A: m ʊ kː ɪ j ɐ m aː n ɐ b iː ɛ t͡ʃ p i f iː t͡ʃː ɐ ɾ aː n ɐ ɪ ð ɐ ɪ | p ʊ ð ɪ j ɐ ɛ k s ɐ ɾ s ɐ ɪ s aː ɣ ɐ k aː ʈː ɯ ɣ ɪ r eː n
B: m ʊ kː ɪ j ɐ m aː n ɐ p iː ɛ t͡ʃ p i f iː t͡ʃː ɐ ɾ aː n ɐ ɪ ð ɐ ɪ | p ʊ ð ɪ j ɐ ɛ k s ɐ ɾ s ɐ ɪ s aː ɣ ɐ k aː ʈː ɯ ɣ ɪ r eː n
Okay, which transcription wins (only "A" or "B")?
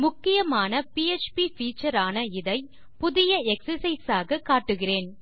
B